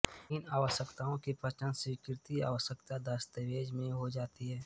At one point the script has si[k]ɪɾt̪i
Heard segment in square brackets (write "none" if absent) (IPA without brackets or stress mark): k